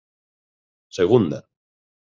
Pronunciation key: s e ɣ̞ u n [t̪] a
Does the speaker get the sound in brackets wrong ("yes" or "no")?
yes